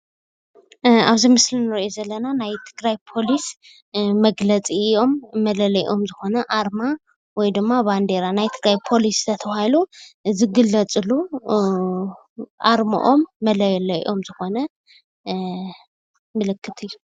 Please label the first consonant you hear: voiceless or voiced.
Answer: voiced